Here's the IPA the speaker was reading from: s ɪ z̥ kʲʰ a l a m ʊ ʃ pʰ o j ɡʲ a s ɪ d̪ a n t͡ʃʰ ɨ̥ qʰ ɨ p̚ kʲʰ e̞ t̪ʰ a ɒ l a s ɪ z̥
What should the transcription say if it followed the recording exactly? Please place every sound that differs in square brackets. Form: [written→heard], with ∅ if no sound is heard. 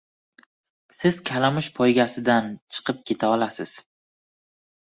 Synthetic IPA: s ɪ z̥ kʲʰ a l a m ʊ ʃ pʰ [o→ɒ] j ɡʲ a s ɪ d̪ a n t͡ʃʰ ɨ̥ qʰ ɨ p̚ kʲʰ e̞ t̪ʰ a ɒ l a s ɪ z̥